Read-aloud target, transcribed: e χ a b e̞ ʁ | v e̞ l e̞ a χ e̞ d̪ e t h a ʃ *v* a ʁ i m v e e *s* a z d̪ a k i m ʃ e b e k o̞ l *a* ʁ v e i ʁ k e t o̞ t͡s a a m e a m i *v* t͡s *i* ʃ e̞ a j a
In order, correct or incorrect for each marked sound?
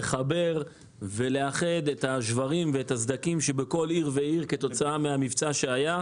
correct, incorrect: t, incorrect: i, correct, incorrect: a

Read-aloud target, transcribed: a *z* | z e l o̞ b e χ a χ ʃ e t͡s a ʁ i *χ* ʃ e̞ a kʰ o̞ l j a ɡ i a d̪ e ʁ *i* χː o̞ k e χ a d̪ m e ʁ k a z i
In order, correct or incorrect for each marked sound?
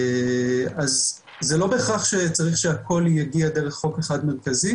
correct, correct, incorrect: e

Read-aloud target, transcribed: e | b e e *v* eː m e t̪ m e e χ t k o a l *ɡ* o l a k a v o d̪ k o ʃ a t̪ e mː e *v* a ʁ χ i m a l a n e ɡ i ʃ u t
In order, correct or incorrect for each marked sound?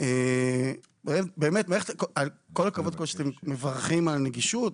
incorrect: b, incorrect: k, correct

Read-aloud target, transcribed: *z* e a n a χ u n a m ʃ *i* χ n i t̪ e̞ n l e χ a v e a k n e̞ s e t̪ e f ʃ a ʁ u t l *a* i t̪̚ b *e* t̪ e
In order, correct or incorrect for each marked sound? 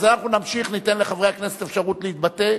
correct, correct, incorrect: e, incorrect: a

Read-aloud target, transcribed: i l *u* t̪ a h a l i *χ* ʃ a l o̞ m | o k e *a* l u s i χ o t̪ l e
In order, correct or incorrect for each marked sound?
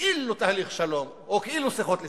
correct, correct, incorrect: i

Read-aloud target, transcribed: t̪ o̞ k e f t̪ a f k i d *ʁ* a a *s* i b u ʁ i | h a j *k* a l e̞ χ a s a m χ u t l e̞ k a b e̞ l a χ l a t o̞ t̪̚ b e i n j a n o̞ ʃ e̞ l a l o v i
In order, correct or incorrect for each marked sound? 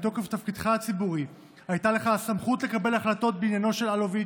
incorrect: χ, incorrect: t͡s, incorrect: t

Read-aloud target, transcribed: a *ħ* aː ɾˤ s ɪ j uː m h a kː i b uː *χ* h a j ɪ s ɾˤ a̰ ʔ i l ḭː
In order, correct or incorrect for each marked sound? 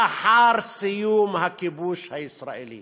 correct, incorrect: ʃ

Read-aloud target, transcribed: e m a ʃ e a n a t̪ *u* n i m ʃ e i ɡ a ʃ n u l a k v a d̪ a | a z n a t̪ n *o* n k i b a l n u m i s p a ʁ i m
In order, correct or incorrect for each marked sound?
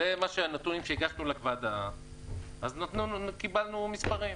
correct, incorrect: u

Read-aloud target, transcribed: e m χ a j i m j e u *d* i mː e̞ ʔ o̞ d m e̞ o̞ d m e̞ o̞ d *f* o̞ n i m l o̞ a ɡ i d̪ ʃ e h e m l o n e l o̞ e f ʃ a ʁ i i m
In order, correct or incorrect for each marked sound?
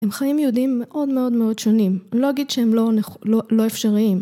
correct, incorrect: ʃ

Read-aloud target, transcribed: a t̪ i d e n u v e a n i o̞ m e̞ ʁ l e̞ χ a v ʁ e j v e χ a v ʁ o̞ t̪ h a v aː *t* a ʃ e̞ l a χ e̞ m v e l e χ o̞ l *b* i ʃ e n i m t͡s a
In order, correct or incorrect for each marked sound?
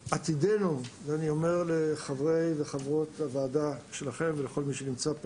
incorrect: d, incorrect: m

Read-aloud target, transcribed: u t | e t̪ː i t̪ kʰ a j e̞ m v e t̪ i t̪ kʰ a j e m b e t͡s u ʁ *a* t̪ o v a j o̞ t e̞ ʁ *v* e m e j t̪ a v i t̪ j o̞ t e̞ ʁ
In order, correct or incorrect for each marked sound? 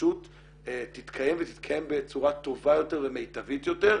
correct, correct

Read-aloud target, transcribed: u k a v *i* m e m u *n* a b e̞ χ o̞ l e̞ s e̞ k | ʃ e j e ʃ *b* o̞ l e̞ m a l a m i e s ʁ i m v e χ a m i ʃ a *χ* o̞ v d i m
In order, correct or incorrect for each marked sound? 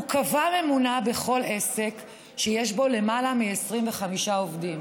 incorrect: a, correct, correct, incorrect: none

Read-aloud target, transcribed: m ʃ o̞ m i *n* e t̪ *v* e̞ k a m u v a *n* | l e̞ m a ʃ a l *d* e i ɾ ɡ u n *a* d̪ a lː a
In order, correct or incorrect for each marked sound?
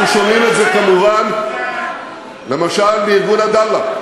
incorrect: m, incorrect: z, correct, incorrect: b, correct

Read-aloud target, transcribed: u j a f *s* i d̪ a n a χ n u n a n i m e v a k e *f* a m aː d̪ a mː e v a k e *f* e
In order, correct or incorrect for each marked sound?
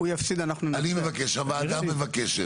correct, incorrect: ʃ, incorrect: ʃ

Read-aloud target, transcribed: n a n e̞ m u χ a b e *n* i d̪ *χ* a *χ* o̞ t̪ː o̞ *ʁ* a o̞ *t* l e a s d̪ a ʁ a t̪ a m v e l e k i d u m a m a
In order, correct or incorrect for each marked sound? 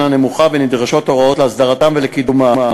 correct, incorrect: ʁ, incorrect: ʃ, correct, correct

